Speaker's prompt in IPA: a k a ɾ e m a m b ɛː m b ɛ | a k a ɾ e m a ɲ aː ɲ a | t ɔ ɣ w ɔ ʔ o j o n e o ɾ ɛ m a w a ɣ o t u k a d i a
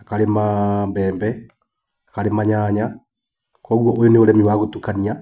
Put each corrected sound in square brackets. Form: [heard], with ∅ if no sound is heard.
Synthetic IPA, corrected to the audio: a k a ɾ e m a m b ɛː m b ɛ | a k a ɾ e m a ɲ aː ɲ a | [k] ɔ ɣ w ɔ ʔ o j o n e o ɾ ɛ m [i] w a ɣ o t u k a [n] i a